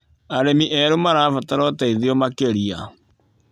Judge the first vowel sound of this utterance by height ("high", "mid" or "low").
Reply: low